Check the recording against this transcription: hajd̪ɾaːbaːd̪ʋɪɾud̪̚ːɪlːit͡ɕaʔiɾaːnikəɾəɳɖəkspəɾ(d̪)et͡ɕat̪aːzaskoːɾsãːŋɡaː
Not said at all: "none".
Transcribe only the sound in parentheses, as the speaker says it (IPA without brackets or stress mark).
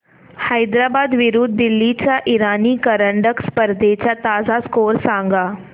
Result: d̪